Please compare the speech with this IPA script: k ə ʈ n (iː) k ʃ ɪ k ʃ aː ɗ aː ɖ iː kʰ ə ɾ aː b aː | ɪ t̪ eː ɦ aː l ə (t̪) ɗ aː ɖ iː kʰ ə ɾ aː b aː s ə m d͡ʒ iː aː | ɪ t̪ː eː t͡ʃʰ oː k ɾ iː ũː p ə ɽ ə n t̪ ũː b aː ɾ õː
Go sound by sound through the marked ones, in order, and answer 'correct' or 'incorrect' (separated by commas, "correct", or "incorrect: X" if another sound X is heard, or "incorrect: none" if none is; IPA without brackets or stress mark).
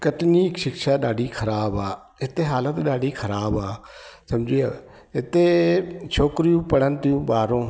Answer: correct, correct